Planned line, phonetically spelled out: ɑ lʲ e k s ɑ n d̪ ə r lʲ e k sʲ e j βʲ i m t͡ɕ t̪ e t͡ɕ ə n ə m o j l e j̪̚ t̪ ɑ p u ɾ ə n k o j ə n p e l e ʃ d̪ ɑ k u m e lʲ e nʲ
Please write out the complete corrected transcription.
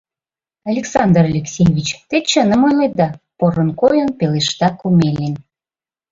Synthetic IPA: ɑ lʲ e k s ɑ n d̪ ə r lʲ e k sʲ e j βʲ i t͡ɕ t̪ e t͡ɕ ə n ə m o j l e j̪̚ d̪ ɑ p o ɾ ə n k o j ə n p e l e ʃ t̪ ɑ k u m e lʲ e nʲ